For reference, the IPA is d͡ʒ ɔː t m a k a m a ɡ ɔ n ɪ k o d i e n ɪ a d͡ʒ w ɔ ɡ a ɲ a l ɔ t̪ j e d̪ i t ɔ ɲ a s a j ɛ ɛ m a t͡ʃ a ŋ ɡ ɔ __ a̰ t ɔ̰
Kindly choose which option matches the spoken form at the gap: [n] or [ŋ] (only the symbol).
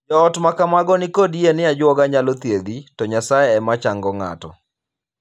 ŋ